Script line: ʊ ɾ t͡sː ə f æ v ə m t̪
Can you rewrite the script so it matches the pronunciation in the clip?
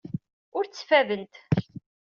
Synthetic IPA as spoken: ʊ ɾ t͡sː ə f æ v ə n t̪